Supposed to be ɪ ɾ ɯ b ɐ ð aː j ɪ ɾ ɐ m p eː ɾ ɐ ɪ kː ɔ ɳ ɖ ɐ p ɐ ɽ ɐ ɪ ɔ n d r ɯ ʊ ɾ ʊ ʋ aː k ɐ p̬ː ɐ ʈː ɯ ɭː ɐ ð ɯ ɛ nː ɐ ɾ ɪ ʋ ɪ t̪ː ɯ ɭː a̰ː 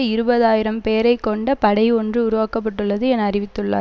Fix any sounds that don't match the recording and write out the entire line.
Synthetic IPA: ɪ ɾ ɯ b ɐ ð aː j ɪ ɾ ɐ m p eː ɾ ɐ ɪ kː ɔ ɳ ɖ ɐ p ɐ ɽ ɐ ɪ ɔ n d r ɯ ʊ ɾ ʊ ʋ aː k ɐ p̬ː ɐ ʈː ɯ ɭː ɐ ð ɯ ɛ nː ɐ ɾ ɪ ʋ ɪ t̪ː ɯ ɭː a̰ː